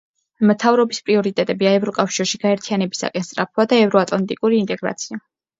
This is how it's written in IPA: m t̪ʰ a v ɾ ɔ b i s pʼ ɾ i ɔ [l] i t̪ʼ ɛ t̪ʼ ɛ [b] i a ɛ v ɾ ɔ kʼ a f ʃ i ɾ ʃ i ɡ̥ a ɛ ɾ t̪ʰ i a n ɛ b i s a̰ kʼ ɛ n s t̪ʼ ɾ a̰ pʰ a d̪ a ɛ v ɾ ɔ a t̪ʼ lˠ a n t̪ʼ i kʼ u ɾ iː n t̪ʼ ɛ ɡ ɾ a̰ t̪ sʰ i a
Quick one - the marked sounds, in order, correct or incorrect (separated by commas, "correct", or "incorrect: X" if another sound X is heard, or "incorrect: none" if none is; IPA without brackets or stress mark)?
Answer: incorrect: ɾ, correct